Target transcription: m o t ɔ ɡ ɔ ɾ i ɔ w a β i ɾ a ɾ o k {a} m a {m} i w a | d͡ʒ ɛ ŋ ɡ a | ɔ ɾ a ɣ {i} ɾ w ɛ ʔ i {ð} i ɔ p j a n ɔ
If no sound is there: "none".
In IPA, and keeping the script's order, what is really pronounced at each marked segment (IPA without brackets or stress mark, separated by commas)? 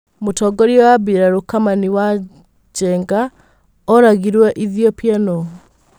a, n, i, ð